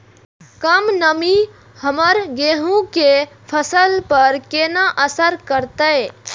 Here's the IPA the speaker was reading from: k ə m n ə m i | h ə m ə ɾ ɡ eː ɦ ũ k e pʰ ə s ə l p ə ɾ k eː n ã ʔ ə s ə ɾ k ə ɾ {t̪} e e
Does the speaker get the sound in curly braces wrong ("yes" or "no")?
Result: no